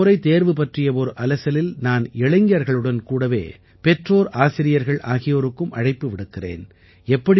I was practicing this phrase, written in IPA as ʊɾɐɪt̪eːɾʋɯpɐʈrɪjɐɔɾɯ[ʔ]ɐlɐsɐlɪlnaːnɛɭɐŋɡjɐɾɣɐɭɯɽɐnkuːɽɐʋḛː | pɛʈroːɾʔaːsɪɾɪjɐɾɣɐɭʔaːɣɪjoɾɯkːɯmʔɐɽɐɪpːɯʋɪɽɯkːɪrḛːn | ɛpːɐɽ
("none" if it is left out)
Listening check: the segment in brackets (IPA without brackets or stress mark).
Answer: ʔ